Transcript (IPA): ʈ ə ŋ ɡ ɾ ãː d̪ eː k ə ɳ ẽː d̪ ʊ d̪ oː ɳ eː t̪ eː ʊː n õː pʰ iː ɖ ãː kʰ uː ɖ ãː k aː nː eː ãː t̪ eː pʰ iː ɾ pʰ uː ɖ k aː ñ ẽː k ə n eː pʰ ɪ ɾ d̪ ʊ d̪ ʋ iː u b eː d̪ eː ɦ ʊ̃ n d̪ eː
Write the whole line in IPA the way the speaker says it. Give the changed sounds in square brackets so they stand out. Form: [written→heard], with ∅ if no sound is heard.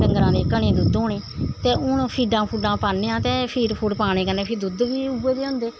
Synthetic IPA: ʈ ə ŋ ɡ ɾ ãː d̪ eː k ə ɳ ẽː d̪ ʊ d̪ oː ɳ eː t̪ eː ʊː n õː pʰ iː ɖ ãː [kʰ→pʰ] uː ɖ ãː [k→p] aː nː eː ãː t̪ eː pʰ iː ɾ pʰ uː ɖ [k→p] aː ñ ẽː k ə n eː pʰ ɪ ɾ d̪ ʊ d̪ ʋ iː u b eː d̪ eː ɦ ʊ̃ n d̪ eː